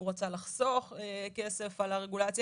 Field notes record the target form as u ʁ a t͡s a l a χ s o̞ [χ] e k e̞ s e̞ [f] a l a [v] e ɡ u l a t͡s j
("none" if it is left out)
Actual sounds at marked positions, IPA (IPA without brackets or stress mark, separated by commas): χ, f, ʁ